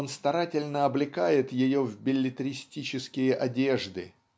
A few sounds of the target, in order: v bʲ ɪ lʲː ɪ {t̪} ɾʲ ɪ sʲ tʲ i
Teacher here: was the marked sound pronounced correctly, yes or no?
yes